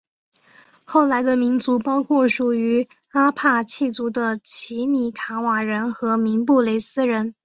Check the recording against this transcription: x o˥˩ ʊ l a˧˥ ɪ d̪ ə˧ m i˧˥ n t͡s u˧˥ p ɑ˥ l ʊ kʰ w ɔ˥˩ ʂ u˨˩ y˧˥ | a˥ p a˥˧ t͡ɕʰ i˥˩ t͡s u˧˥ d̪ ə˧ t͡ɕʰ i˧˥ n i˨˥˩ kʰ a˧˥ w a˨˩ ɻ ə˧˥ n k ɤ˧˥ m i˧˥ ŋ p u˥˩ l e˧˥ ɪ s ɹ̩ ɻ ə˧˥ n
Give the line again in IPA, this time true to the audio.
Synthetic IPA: x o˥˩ ʊ l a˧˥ ɪ d̪ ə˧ m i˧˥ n t͡s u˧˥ p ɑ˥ ʊ kʰ w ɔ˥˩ ʂ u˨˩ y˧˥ | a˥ pʰ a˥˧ t͡ɕʰ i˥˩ t͡s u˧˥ d̪ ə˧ t͡ɕʰ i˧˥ n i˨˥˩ kʰ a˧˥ w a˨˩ ɻ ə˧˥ n x ɤ˧˥ m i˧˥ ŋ p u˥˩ l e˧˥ ɪ s ɹ̩ ɻ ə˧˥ n